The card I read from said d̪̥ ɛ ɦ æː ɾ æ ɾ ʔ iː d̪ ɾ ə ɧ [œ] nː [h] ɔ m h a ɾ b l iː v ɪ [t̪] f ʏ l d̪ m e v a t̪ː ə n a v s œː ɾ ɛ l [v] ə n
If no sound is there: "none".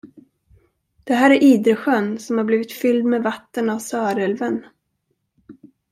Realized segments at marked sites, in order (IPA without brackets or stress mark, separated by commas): œ, s, t̪, v